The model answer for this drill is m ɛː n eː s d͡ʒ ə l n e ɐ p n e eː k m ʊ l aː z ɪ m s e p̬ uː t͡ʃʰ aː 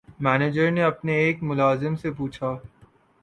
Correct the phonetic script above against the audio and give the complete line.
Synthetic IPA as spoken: m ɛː n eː d͡ʒ ə ɾ n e ɐ p n e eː k m ʊ l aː z ɪ m s e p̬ uː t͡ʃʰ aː